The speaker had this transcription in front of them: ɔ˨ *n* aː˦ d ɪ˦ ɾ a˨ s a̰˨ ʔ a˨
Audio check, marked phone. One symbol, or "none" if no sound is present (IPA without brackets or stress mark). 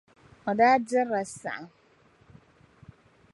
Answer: d